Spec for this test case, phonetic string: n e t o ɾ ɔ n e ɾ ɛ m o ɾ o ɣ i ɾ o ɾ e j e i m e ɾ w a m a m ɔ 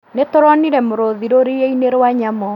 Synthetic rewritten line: n e t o ɾ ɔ n i ɾ ɛ m o ɾ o ð i ɾ o ɾ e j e i n e ɾ w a ɲ a m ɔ